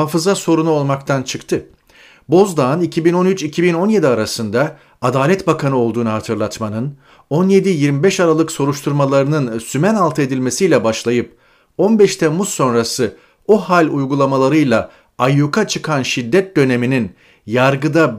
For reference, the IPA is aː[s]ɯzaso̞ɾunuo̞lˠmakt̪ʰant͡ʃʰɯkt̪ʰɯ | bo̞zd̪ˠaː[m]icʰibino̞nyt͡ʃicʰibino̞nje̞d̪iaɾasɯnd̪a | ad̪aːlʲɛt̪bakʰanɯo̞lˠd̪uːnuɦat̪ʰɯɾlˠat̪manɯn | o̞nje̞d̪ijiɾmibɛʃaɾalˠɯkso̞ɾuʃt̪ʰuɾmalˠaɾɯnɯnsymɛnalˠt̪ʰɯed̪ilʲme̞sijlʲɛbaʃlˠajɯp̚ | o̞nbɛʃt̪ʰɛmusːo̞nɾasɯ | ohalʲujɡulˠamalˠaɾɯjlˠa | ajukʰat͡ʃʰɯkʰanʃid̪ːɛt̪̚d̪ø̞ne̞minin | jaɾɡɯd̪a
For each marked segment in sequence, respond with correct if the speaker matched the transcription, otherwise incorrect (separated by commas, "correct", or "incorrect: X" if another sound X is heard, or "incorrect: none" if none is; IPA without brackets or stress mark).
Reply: incorrect: f, incorrect: n